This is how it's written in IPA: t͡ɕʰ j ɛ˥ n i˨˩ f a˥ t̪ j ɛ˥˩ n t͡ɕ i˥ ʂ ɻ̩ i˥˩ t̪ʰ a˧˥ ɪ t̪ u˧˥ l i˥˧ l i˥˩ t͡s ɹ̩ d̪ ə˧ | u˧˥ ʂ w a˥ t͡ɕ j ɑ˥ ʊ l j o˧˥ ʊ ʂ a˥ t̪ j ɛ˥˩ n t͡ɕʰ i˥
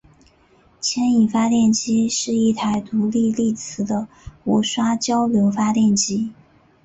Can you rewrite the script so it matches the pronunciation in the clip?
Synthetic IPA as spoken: t͡ɕʰ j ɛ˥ n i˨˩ f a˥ t̪ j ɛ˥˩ n t͡ɕ i˥ ʂ ɻ̩ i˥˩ t̪ʰ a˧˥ ɪ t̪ u˧˥ l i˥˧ l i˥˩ t͡sʰ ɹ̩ d̪ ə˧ | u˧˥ ʂ w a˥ t͡ɕ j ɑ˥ ʊ l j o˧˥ ʊ f a˥ t̪ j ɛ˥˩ n t͡ɕ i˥